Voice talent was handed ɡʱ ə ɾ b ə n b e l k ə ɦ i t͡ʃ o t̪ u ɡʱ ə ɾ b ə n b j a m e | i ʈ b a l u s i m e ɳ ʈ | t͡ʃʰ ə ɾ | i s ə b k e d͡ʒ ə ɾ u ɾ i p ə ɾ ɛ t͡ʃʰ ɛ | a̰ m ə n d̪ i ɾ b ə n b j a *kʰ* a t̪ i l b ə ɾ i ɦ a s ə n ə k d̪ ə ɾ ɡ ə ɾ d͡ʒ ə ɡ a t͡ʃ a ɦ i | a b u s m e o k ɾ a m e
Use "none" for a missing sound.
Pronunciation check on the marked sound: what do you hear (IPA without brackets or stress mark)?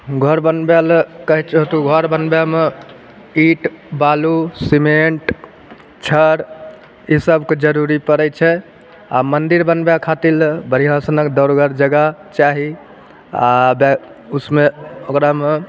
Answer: kʰ